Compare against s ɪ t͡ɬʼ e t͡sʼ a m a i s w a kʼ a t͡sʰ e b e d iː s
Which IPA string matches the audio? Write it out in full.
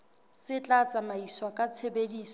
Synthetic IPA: s ɪ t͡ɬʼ a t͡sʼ a m a i s w a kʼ a t͡sʰ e b e d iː s